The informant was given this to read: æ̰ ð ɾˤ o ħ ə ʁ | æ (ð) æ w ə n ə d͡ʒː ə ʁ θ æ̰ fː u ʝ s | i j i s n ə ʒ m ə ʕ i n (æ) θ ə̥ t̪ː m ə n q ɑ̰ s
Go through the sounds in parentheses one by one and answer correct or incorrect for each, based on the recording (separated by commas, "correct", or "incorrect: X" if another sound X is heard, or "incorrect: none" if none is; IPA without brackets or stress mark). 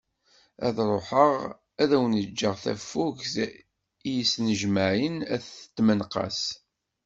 correct, correct